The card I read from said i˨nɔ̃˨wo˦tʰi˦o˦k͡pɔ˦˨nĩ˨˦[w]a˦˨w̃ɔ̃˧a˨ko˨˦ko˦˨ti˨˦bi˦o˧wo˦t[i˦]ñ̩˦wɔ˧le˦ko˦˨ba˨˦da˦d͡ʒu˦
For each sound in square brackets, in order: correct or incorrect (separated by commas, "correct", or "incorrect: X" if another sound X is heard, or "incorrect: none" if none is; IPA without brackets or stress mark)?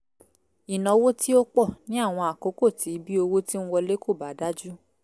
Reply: incorrect: none, correct